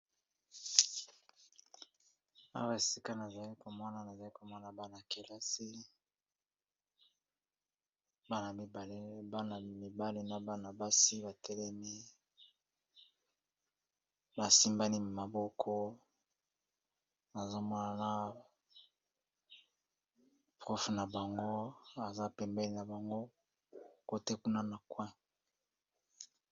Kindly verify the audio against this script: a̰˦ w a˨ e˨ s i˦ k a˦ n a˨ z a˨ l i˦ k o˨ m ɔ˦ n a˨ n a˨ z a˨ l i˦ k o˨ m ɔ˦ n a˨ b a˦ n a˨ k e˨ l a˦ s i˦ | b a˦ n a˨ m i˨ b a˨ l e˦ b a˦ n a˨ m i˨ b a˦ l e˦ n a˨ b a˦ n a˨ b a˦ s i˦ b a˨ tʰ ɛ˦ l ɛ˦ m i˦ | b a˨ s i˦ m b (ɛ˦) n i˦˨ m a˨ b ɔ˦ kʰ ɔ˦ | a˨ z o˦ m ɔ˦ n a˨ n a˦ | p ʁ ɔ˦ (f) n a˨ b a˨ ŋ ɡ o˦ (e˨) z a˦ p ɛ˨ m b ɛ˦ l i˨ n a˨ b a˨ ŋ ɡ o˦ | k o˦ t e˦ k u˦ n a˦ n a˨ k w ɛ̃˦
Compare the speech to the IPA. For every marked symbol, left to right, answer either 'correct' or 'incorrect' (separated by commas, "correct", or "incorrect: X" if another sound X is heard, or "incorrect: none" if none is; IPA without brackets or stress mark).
incorrect: a˦, correct, incorrect: a˨